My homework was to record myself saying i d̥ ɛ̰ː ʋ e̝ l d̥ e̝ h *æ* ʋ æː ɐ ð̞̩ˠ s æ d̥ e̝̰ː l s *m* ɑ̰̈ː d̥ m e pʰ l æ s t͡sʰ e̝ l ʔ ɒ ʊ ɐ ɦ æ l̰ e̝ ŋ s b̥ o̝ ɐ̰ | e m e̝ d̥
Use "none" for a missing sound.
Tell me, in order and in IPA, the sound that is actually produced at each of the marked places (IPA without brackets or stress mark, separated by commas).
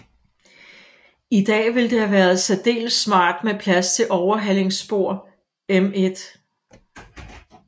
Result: æ, m